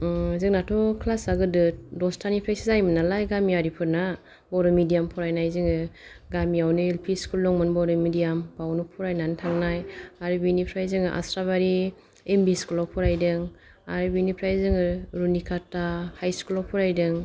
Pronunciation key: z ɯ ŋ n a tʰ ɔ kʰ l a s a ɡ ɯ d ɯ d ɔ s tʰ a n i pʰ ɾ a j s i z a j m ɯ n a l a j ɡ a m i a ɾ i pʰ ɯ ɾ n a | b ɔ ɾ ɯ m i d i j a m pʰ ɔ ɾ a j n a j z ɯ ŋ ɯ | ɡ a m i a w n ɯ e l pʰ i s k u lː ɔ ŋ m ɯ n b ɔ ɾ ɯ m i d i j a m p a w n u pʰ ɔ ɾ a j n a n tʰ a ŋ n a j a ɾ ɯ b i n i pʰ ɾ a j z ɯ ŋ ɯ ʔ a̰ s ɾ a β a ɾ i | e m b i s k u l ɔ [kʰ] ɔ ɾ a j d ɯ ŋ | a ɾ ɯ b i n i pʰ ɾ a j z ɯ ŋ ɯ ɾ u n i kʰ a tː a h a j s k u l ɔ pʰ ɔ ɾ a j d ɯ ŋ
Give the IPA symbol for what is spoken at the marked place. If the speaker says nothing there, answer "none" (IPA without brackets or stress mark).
pʰ